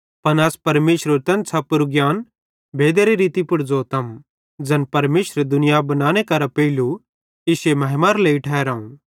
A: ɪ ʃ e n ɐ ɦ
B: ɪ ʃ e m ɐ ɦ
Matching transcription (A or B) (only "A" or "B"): B